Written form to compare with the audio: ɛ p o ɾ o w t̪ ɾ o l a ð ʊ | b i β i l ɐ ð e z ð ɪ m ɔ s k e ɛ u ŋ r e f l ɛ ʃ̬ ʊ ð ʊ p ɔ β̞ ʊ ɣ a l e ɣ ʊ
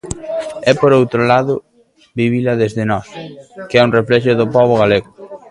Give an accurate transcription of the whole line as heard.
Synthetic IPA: ɛ p o ɾ o w t̪ ɾ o l a ð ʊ | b i β i l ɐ ð e z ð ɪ n ɔ s k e ɛ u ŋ r e f l ɛ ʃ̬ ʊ ð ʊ p ɔ β̞ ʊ ɣ a l e ɣ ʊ